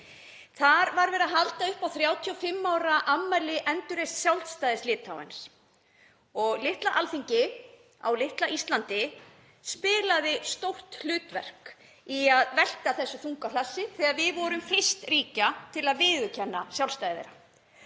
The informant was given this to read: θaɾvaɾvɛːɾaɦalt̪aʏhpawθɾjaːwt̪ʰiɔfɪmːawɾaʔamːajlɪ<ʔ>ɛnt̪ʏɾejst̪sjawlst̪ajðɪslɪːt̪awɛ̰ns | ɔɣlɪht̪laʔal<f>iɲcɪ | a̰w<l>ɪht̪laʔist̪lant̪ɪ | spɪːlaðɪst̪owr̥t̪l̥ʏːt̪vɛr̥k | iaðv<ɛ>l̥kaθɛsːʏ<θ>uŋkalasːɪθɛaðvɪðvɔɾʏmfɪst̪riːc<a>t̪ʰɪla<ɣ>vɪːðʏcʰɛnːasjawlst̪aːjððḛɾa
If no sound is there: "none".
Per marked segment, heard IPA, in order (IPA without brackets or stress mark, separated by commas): ʔ, θ, l, ɛ, θ, a, ð